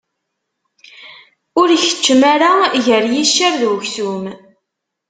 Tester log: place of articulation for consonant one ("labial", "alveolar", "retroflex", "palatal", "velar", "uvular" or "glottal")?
alveolar